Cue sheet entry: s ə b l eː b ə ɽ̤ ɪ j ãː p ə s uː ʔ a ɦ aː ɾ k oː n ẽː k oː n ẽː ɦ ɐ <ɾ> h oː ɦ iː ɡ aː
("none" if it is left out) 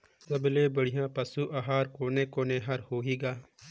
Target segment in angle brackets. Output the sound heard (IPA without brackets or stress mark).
ɾ